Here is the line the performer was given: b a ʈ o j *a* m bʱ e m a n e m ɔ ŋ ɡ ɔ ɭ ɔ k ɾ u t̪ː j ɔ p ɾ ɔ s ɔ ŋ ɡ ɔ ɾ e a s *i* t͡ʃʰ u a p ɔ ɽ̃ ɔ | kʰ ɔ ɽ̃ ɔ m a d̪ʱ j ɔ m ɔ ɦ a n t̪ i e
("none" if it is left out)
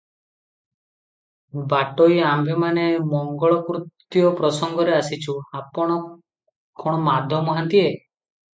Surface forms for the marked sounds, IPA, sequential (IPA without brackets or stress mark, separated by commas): a, i